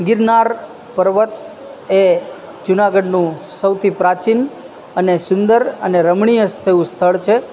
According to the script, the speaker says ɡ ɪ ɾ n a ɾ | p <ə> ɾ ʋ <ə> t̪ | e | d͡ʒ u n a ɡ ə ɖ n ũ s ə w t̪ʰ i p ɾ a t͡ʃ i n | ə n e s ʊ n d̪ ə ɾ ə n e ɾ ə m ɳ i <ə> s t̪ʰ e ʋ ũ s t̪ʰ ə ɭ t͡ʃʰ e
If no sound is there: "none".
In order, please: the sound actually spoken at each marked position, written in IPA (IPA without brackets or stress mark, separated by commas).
ə, ə, ə